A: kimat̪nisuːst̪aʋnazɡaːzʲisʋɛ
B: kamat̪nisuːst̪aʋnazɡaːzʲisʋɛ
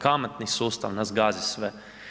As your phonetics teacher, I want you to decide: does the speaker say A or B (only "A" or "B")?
B